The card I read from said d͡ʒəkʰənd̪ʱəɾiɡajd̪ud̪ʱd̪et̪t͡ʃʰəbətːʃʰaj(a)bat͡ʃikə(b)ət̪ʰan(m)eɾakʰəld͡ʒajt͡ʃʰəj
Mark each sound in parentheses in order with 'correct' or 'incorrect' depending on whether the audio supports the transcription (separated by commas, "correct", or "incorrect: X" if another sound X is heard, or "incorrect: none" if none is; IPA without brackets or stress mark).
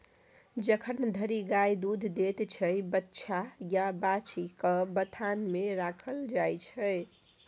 correct, correct, correct